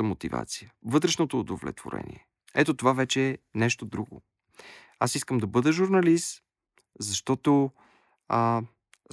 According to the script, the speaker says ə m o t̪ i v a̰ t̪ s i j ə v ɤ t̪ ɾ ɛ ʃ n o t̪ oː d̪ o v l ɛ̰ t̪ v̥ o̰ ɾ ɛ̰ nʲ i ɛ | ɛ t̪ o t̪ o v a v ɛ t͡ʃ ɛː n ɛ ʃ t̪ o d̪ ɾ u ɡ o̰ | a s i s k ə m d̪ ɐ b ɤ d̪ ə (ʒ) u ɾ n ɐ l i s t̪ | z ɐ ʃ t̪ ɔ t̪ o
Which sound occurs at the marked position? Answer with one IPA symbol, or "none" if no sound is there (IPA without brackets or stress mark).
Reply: ʒ